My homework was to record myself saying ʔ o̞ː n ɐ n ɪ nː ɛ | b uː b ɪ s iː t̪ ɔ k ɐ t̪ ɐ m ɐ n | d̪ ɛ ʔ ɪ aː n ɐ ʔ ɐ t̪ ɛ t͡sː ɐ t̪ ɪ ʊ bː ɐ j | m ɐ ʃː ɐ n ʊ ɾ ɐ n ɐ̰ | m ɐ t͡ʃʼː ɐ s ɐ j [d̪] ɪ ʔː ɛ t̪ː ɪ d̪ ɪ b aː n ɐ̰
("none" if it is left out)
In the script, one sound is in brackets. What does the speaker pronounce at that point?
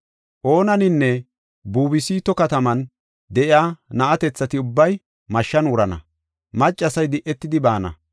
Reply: d̪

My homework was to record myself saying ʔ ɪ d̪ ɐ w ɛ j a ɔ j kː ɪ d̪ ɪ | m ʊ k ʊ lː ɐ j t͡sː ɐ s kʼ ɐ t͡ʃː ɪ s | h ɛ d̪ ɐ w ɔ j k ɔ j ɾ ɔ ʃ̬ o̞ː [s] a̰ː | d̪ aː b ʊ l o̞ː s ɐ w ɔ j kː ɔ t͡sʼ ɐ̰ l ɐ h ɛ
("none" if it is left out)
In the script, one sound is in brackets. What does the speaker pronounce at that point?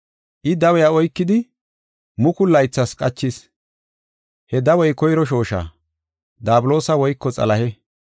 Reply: ʃ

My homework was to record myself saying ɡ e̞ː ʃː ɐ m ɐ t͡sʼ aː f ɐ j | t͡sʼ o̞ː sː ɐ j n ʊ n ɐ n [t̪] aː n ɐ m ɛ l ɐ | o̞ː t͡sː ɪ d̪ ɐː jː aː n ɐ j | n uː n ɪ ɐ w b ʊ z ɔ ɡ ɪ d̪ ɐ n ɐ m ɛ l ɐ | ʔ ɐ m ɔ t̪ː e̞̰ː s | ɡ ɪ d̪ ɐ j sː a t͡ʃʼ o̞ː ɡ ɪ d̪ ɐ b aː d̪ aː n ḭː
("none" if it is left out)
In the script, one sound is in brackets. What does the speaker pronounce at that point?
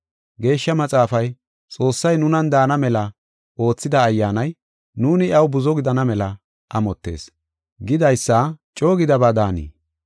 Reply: d̪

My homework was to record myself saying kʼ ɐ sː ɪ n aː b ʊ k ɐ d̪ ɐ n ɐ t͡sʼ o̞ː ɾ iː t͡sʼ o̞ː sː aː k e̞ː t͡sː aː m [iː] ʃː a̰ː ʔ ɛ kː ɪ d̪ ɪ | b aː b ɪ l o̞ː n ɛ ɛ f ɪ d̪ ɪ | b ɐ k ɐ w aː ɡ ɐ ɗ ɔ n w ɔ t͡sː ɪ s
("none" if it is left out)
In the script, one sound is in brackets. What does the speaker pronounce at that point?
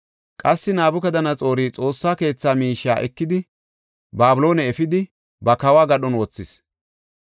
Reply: iː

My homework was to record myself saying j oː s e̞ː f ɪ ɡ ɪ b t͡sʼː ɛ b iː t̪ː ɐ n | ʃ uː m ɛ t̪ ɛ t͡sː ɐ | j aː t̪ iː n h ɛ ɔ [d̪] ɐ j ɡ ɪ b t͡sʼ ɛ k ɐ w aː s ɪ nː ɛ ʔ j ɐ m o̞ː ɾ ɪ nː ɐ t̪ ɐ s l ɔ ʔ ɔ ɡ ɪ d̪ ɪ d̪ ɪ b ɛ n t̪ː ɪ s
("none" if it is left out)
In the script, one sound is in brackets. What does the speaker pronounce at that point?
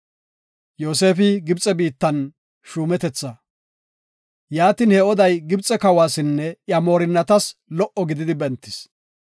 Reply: d̪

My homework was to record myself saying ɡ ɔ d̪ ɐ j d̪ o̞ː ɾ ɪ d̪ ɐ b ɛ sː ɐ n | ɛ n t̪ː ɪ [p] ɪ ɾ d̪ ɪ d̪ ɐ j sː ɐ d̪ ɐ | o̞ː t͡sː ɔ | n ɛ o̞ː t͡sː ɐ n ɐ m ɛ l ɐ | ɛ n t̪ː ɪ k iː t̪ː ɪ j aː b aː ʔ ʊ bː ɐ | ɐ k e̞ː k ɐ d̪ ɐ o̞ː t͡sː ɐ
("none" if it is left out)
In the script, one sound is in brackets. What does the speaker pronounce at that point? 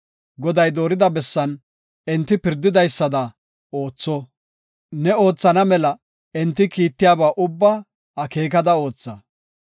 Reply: p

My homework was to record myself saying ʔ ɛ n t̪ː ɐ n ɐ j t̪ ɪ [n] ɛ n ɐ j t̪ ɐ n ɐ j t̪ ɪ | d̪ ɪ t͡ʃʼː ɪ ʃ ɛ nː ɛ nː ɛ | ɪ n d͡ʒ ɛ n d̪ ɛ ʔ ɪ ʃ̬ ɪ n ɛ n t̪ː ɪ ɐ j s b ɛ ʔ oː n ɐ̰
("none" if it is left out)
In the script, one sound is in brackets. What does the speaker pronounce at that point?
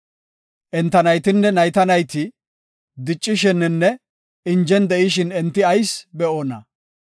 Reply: nː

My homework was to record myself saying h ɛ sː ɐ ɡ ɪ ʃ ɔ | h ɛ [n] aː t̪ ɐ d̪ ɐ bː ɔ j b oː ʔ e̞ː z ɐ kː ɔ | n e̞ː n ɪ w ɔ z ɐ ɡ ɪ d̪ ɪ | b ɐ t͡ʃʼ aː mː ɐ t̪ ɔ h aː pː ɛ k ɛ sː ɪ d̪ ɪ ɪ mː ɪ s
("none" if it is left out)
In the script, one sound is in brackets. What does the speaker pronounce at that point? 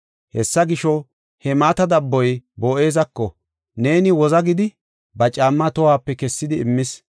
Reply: m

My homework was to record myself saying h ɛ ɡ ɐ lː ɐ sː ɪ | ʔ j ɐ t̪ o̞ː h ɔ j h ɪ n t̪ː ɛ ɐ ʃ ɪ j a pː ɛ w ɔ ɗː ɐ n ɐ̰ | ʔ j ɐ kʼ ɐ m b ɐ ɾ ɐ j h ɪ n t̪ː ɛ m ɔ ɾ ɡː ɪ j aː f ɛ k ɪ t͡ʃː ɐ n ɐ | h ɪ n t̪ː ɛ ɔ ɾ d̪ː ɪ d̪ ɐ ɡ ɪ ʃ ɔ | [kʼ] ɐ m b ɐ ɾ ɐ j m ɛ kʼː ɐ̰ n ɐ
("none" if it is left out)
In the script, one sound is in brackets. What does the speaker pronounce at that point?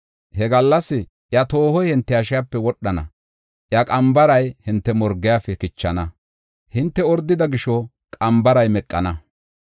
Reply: kʼ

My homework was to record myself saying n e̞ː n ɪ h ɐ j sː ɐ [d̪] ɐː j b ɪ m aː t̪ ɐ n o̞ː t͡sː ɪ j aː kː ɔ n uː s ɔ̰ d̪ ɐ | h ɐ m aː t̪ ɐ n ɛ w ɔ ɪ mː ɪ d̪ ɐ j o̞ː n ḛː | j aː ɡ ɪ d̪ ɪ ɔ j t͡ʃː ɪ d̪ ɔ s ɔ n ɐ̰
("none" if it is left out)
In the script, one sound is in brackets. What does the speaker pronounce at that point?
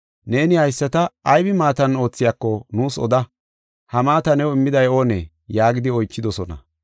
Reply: t̪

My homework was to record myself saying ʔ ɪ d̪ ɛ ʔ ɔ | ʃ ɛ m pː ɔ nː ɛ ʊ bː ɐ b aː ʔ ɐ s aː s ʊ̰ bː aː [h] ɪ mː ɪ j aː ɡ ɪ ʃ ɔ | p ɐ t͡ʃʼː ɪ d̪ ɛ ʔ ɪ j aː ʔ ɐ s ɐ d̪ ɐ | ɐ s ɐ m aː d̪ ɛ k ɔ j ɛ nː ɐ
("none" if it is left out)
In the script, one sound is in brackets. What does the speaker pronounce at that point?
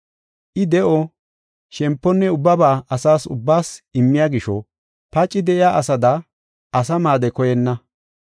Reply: s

